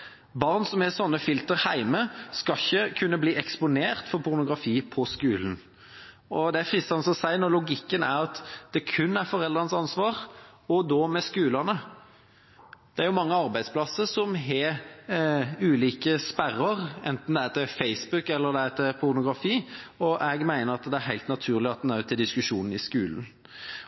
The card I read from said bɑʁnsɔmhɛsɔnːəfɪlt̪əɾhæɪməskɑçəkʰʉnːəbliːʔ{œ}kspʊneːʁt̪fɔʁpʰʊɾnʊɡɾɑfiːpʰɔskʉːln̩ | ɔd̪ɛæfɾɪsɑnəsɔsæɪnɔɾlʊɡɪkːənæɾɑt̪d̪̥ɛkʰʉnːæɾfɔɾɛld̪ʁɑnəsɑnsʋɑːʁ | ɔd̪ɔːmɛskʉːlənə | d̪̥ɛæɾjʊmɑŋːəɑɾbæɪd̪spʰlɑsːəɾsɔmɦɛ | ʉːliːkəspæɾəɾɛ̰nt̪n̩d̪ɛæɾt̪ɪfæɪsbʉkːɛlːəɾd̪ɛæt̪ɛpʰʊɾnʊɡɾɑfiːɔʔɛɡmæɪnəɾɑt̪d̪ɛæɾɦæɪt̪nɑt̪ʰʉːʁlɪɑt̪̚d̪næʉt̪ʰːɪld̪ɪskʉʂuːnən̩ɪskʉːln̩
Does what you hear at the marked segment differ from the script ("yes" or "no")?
yes